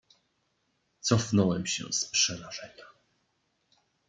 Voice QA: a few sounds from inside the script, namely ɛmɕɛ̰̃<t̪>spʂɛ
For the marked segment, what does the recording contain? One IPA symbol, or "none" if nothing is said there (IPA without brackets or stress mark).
none